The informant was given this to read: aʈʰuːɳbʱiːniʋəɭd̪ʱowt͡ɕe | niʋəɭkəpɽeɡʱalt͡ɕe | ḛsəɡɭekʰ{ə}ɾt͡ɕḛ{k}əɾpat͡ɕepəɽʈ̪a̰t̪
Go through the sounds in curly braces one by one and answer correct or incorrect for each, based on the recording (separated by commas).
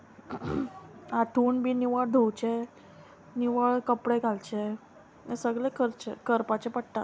correct, correct